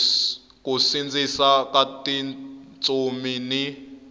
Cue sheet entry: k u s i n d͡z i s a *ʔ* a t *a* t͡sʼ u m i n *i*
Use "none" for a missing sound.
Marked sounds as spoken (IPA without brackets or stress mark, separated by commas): k, i, i